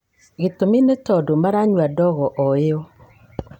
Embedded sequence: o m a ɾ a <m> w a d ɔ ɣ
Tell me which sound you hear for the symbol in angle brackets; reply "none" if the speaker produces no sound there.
ɲ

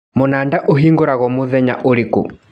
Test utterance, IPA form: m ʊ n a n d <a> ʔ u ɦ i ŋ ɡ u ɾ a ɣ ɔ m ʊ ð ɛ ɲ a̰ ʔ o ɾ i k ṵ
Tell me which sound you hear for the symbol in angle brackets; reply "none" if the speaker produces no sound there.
a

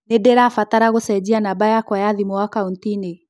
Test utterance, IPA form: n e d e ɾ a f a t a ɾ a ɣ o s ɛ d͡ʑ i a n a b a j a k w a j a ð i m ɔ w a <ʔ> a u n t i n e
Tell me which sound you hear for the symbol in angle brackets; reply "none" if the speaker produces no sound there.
k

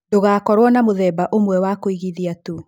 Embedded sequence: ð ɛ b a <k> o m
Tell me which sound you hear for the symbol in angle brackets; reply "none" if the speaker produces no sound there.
ʔ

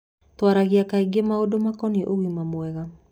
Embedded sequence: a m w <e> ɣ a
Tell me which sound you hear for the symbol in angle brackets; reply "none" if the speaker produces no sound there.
ɛ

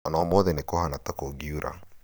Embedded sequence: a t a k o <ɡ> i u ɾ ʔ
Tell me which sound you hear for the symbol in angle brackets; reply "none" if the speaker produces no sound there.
ɡ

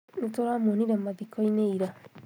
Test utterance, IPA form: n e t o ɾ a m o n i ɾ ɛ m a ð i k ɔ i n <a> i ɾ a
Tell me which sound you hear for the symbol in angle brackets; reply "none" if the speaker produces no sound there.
e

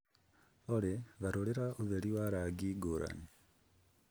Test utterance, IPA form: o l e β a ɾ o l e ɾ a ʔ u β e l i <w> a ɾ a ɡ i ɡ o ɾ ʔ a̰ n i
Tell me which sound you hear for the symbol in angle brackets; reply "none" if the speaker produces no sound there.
w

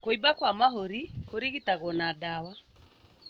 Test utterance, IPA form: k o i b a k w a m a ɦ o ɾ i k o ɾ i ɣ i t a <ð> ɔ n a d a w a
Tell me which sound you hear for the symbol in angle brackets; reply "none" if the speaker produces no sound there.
ɣ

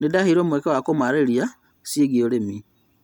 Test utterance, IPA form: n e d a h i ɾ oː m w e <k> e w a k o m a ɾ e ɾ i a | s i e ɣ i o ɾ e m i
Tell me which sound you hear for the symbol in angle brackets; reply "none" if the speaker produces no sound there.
k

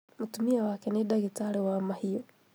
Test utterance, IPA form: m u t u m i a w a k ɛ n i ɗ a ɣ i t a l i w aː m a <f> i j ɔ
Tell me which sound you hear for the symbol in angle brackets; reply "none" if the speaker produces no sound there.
h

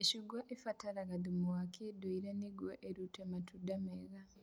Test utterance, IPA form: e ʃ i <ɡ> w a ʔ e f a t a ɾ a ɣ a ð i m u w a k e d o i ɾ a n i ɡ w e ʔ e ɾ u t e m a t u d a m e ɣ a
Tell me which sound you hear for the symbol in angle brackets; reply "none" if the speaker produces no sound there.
ɡ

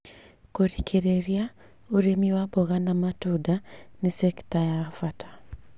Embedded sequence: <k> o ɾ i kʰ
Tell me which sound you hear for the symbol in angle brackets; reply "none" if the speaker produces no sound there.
k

